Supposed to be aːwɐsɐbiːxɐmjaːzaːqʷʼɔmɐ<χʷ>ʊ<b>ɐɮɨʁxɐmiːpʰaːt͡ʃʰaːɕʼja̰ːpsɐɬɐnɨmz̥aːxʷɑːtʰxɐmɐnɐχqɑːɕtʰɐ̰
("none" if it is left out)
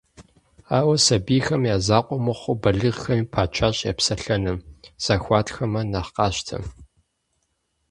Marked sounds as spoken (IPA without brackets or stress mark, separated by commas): χʷ, b